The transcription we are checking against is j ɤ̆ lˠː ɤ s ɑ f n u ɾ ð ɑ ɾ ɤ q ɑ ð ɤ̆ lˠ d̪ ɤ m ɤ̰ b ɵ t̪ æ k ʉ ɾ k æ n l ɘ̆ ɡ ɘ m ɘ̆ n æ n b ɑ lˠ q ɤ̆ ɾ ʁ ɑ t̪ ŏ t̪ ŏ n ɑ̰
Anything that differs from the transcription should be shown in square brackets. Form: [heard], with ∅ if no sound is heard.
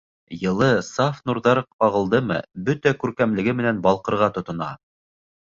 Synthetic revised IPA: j ɤ̆ [lˠ] ɤ s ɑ f n u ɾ ð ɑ ɾ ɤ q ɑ [ʁ] ɤ̆ lˠ d̪ ɤ m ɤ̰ b ɵ t̪ æ k ʉ ɾ k æ [m] l ɘ̆ ɡ ɘ m ɘ̆ n æ n b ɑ lˠ q ɤ̆ ɾ ʁ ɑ t̪ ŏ t̪ ŏ n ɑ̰